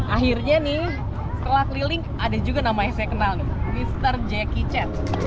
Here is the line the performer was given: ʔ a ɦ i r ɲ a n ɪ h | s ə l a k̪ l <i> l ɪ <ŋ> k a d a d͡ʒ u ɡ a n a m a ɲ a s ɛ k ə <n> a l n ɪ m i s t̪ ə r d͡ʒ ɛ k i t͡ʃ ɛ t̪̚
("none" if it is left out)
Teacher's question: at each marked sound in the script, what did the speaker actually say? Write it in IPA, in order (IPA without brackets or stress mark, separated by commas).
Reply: i, ŋ, n